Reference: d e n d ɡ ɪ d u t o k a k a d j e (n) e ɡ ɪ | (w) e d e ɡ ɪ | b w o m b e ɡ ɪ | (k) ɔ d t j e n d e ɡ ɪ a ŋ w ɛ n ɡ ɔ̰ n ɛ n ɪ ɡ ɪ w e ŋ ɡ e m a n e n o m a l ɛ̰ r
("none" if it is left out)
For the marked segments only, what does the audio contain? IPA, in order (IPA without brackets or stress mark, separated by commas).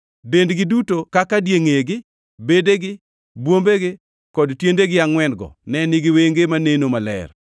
ŋ, b, k